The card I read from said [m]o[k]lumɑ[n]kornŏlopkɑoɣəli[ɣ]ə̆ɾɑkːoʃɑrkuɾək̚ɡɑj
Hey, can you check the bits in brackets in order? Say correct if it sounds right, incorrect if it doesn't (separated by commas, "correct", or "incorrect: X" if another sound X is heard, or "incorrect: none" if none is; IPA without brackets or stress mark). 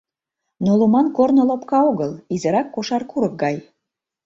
incorrect: n, incorrect: none, correct, incorrect: z